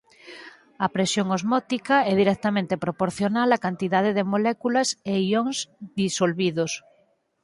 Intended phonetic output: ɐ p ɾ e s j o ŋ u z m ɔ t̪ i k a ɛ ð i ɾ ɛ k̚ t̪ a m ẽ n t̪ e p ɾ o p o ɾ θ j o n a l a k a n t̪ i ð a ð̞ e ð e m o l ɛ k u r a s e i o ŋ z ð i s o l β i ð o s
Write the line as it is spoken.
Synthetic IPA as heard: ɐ p ɾ e s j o ŋ o z m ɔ t̪ i k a ɛ ð i ɾ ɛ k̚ t̪ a m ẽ n t̪ e p ɾ o p o ɾ θ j o n a l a k a n t̪ i ð a ð̞ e ð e m o l ɛ k u l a s e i o ŋ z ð i s o l β i ð o s